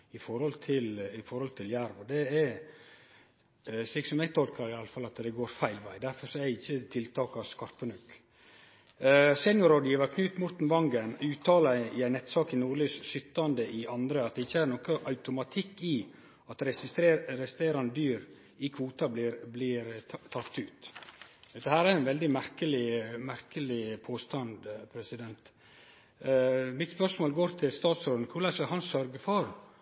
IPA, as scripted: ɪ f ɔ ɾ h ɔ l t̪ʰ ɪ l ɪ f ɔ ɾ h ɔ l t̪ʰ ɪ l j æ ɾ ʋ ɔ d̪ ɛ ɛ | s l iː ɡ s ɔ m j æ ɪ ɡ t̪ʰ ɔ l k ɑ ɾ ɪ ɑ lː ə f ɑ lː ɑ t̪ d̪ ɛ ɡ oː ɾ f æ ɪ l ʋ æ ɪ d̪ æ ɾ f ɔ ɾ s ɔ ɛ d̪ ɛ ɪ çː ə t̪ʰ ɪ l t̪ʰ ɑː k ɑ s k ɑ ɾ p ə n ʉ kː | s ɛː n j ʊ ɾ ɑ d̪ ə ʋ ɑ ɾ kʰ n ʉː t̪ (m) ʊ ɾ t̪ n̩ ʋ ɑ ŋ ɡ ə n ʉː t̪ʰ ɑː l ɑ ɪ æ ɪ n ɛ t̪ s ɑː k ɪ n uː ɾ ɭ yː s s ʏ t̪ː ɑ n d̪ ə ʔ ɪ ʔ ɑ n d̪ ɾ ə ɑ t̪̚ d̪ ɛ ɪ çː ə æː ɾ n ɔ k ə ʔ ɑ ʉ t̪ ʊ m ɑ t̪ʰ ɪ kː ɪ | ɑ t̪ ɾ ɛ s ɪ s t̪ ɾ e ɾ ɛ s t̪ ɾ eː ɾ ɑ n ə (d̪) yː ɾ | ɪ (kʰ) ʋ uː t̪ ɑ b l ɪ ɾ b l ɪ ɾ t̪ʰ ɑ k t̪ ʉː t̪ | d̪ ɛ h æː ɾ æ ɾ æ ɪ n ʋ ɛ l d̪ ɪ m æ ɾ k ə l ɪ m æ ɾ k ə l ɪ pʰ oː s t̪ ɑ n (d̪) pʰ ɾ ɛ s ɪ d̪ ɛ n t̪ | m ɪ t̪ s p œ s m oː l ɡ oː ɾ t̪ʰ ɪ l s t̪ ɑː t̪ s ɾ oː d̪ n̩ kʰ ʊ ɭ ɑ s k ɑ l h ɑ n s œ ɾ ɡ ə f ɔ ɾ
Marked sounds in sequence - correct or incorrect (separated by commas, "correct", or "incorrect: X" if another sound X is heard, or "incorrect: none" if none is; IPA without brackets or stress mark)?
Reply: correct, correct, correct, correct